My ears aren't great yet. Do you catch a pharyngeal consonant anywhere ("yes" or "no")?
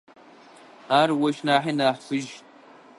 yes